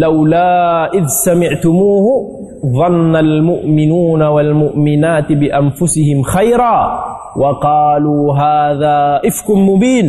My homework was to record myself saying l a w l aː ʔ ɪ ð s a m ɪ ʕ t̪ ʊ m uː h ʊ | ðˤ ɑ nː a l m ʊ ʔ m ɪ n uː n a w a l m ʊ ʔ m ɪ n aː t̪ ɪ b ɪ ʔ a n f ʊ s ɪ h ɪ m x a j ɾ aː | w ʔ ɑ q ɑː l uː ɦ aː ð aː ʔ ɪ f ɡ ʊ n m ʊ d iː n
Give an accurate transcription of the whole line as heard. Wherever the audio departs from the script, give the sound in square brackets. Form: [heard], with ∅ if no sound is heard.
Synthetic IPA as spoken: l a w l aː ʔ ɪ ð s a m ɪ ʕ t̪ ʊ m uː h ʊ | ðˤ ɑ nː a l m ʊ ʔ m ɪ n uː n a w a l m ʊ ʔ m ɪ n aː t̪ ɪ b ɪ ʔ a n f ʊ s ɪ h ɪ m x a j ɾ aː | w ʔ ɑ q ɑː l uː ɦ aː ð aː ʔ ɪ f [k] ʊ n m ʊ [b] iː n